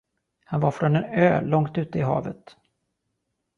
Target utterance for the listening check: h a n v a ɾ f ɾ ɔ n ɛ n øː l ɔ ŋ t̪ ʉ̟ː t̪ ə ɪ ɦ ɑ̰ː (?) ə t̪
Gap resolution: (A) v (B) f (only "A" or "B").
A